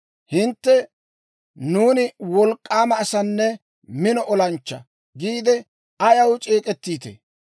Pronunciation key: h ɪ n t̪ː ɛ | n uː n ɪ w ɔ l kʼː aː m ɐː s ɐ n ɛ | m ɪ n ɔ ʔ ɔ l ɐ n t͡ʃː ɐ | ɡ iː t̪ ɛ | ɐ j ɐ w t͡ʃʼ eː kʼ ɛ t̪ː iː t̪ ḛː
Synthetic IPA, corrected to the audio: h ɪ n t̪ː ɛ | n uː n ɪ w ɔ l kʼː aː m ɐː s ɐ nː ɛ | m ɪ n ɔ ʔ ɔ l ɐ n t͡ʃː ɐ | ɡ iː d̪ ɛ | ɐ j ɐ w t͡ʃʼ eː kʼ ɛ t̪ː iː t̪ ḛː